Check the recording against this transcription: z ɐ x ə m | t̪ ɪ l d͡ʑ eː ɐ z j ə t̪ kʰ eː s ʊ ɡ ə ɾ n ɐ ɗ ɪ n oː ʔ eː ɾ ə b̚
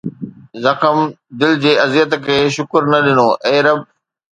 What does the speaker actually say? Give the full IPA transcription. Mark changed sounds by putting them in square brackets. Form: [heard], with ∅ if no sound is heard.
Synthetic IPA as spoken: z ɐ x ə m | [d̪] ɪ l d͡ʑ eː ɐ z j ə t̪ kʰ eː [ʃ] ʊ [k] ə ɾ n ɐ ɗ ɪ n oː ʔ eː ɾ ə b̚

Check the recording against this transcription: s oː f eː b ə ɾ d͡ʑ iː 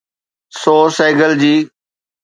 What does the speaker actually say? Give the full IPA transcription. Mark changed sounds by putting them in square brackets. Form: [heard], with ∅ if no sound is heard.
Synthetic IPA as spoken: s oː [s] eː [ɡ] ə [l] d͡ʑ iː

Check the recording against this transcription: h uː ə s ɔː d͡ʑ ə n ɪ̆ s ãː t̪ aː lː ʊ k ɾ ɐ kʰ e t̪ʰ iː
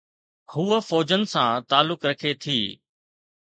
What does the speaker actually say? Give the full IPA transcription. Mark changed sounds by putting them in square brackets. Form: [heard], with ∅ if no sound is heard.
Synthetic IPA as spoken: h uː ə [f] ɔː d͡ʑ ə n ɪ̆ s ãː t̪ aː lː ʊ k ɾ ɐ kʰ e t̪ʰ iː

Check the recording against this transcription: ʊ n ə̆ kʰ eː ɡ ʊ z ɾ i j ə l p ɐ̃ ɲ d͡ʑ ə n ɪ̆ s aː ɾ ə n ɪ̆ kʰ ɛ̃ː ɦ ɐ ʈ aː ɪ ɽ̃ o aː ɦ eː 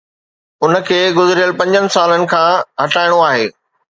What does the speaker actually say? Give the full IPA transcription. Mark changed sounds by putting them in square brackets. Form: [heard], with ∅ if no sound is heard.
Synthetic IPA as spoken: ʊ n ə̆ kʰ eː ɡ ʊ z ɾ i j ə l p ɐ̃ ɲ d͡ʑ ə n ɪ̆ s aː [l] ə n ɪ̆ kʰ [ãː] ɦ ɐ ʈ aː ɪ ɽ̃ o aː ɦ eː

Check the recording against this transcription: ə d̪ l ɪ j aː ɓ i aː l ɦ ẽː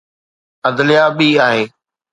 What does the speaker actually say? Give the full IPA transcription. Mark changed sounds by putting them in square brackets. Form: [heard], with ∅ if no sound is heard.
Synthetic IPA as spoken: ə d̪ l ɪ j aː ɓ [iː] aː [∅] ɦ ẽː

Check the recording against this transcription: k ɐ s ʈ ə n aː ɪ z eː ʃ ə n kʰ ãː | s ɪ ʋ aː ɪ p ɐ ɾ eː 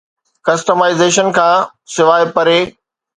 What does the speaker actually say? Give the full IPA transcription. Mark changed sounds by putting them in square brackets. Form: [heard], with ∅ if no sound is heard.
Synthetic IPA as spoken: k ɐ s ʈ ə [m] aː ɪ z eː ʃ ə n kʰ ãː | s ɪ ʋ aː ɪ p ɐ ɾ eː

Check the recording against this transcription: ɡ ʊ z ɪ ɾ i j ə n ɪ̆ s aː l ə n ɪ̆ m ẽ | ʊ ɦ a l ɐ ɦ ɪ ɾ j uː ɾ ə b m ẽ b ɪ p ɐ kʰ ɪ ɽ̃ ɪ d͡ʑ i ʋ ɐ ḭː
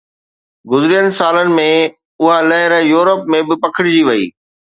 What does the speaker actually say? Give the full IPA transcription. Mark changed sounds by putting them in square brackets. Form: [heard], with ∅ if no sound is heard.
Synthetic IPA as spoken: ɡ ʊ z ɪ ɾ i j ə n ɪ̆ s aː l ə n ɪ̆ m ẽ | ʊ ɦ a l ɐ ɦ ɪ ɾ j uː ɾ ə [p] m ẽ b ɪ p ɐ kʰ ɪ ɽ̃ ɪ d͡ʑ i ʋ ɐ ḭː

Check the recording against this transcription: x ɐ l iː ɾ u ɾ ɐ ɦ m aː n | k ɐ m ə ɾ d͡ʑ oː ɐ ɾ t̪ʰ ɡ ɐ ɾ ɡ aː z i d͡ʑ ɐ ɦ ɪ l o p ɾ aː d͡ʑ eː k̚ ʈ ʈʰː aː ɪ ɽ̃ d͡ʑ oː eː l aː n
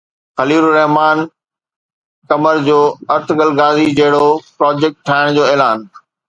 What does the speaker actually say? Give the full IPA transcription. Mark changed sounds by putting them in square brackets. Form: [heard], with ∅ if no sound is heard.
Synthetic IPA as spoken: x ɐ l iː ɾ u ɾ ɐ ɦ m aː n | k ɐ m ə ɾ d͡ʑ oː ɐ ɾ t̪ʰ ɡ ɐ [l] ɡ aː z i d͡ʑ ɐ ɦ ɪ [ɽ] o p ɾ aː d͡ʑ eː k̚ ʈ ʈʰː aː ɪ ɽ̃ d͡ʑ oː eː l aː n

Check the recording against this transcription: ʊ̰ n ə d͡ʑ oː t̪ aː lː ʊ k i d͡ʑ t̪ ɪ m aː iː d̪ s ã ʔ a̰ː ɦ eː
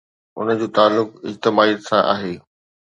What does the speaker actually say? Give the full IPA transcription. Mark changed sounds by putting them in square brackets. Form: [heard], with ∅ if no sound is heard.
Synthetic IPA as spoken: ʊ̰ n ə d͡ʑ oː t̪ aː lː ʊ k [ɪ] d͡ʑ t̪ ɪ m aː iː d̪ s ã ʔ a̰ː ɦ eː

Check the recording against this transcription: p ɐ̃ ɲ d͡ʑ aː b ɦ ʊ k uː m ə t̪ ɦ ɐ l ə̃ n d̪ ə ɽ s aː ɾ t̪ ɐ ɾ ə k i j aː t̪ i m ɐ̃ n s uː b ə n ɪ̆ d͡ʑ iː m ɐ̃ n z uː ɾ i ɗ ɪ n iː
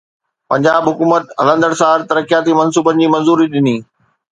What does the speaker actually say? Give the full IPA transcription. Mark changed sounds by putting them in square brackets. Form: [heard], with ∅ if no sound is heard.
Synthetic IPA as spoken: p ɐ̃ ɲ d͡ʑ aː b ɦ ʊ k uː m ə t̪ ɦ ɐ l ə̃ n d̪ ə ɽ s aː ɾ t̪ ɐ ɾ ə k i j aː t̪ i m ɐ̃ n s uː b ə n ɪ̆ d͡ʑ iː m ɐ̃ n z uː ɾ i ɗ ɪ n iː

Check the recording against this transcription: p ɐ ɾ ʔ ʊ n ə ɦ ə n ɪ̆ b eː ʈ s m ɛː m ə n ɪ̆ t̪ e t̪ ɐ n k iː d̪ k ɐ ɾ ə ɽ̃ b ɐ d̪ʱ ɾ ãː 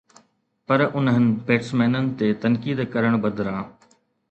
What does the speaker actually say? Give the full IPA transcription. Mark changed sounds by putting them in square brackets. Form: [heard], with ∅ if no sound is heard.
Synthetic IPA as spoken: p ɐ ɾ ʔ ʊ n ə ɦ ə n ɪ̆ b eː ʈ s m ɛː [n] ə n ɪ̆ t̪ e t̪ ɐ n k iː d̪ k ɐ ɾ ə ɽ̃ b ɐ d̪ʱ ɾ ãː

